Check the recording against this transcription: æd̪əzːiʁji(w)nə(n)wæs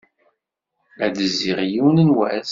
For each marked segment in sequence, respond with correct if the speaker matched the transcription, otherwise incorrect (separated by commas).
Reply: correct, correct